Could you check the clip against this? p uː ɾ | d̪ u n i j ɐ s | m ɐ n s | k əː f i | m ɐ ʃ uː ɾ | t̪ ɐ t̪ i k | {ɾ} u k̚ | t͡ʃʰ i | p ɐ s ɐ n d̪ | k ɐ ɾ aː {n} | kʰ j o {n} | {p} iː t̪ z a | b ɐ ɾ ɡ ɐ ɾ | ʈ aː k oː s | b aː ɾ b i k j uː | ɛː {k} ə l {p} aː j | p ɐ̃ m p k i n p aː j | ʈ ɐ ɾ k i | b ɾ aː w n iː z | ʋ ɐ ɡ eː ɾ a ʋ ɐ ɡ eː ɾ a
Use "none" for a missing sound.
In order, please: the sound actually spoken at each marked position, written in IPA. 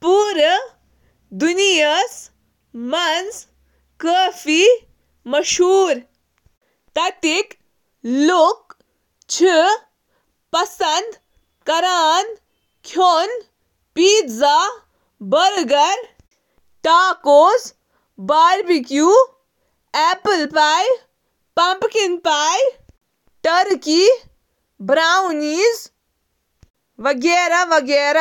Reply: l, n, n, p, p, p

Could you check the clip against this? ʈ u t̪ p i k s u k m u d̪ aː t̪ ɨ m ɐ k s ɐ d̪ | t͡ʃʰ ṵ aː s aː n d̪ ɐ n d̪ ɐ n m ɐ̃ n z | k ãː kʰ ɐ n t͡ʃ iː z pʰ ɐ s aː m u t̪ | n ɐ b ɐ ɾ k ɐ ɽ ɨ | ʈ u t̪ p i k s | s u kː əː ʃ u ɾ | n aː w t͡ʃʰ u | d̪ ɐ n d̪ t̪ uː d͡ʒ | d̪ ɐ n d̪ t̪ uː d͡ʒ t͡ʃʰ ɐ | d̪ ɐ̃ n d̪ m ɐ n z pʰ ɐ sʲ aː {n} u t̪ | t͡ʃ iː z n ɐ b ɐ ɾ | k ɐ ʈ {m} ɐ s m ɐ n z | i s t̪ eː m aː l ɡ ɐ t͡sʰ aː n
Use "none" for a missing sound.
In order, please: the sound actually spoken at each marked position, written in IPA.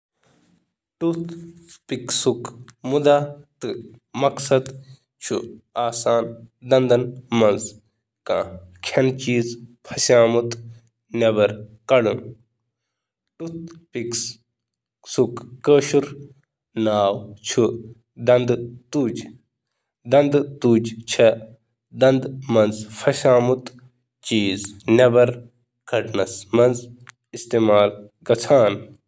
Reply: m, n

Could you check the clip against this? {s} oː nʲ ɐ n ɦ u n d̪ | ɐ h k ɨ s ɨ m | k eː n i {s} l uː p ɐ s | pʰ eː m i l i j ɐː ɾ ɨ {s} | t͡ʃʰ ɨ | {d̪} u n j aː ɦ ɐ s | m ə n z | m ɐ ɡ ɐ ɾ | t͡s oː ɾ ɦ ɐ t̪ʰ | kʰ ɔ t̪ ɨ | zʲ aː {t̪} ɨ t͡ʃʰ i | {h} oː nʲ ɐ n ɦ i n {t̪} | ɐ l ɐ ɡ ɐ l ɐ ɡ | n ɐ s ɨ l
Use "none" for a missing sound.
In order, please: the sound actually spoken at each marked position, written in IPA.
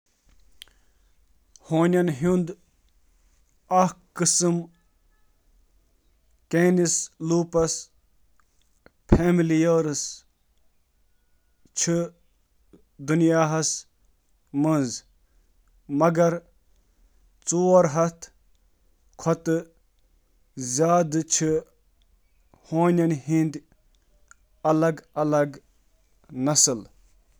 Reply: h, s, s, d̪, d̪, h, d̪

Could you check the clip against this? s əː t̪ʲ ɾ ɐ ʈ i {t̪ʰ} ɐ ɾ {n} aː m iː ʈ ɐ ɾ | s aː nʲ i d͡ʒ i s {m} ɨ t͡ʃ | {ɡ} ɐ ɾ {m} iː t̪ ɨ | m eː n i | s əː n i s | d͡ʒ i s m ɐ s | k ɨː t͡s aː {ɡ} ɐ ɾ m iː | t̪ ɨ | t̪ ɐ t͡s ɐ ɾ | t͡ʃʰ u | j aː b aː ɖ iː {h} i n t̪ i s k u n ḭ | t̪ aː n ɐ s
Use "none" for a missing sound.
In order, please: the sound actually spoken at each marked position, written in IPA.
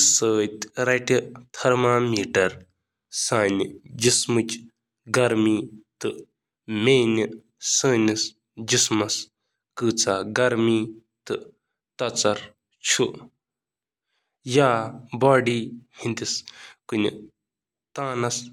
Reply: t̪ʰ, m, m, ɡ, m, ɡ, h

